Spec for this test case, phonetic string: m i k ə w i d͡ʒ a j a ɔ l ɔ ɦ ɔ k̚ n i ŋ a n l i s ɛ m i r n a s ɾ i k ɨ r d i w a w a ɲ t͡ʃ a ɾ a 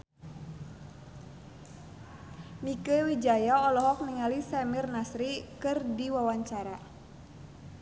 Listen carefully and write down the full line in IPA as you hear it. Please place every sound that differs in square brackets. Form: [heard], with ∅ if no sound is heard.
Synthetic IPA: m i k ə w i d͡ʒ a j a ɔ l ɔ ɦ ɔ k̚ n i ŋ a [∅] l i s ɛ m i r n a s ɾ i k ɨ r d i w a w a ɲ t͡ʃ a ɾ a